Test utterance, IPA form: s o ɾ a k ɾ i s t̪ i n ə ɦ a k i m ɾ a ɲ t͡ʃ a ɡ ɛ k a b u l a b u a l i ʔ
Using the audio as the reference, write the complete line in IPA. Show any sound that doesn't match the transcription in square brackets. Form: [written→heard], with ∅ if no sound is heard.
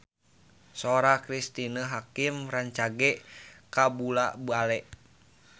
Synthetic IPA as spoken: s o ɾ a k ɾ i s t̪ i n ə ɦ a k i m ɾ a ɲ t͡ʃ a ɡ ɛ k a b u l a b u a l [i→ɛ] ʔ